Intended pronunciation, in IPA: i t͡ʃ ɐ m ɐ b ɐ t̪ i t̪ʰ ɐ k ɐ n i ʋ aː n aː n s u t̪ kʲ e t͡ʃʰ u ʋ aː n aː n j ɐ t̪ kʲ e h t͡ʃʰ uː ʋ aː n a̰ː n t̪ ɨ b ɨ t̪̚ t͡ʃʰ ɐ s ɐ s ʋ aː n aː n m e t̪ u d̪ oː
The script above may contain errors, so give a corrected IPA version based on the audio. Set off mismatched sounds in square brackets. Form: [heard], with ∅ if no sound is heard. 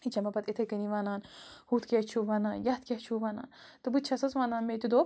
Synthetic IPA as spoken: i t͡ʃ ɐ m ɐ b ɐ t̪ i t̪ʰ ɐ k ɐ n i ʋ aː n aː n [h] u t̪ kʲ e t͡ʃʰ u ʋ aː n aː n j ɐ t̪ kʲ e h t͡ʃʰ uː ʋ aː n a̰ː n t̪ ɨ b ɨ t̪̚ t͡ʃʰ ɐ s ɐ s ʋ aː n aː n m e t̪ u d̪ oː